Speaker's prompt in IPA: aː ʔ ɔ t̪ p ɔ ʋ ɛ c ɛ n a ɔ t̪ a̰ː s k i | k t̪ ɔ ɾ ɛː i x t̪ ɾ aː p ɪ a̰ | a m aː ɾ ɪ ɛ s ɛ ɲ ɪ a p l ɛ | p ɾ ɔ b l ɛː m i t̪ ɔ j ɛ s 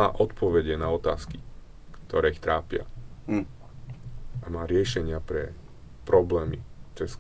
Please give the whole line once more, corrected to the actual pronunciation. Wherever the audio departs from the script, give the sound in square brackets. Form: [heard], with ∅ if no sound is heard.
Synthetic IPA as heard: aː ʔ ɔ t̪ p ɔ ʋ ɛ [ɟ] ɛ n a ɔ t̪ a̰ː s k i | k t̪ ɔ ɾ ɛː i x t̪ ɾ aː p ɪ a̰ | a m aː ɾ ɪ ɛ [ʃ] ɛ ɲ ɪ a p [ɾ] ɛ | p ɾ ɔ b l ɛː m i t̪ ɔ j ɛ s